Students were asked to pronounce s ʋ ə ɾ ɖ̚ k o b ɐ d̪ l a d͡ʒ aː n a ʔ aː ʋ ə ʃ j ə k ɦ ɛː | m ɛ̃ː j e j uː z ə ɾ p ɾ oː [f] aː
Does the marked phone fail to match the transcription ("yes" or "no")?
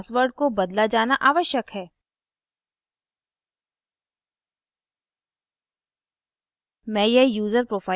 no